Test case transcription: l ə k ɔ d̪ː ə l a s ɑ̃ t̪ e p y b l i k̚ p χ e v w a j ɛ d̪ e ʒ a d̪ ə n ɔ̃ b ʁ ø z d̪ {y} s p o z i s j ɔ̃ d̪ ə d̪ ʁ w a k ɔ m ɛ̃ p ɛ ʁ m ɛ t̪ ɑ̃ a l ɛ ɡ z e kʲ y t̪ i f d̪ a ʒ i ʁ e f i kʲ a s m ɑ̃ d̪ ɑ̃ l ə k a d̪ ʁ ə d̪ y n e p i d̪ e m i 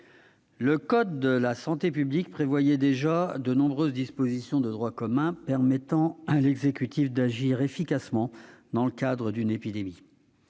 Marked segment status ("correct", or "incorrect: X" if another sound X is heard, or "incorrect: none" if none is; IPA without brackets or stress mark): incorrect: i